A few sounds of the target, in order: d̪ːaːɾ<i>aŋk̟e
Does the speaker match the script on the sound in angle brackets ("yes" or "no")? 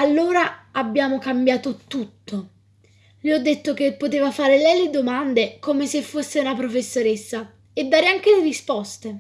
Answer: no